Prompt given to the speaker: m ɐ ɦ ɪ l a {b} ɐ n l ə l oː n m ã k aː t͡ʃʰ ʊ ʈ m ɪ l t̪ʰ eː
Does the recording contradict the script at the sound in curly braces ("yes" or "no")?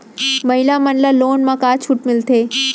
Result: yes